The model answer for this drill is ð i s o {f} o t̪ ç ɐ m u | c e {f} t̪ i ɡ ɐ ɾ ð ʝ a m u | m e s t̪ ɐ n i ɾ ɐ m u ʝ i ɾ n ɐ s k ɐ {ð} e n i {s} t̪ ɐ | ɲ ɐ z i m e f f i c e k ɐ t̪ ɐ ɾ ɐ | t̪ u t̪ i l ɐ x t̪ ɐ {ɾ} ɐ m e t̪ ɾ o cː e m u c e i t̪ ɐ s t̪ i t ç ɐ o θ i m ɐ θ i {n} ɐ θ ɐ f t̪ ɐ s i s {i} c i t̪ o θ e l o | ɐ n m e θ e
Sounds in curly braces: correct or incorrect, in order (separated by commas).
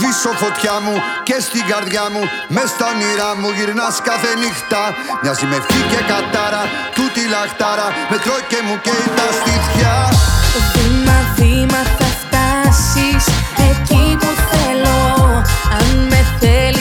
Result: correct, incorrect, incorrect, incorrect, correct, incorrect, incorrect